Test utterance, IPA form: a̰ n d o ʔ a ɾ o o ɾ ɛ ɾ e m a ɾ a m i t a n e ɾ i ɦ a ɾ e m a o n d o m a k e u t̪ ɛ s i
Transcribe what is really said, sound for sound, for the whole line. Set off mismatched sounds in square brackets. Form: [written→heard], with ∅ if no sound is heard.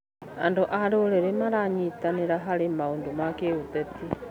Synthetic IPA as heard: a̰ n d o ʔ a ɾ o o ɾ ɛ ɾ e m a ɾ a [m→ɲ] i t a n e ɾ [i→a] ɦ a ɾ e m a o n d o m a k e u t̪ ɛ [s→t] i